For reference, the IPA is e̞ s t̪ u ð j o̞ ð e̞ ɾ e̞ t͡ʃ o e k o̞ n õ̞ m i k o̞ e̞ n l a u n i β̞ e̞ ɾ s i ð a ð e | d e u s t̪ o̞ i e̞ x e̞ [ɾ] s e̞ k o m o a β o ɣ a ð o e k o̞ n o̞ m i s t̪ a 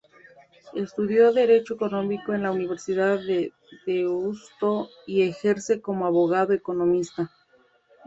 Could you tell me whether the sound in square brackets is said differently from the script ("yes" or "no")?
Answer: no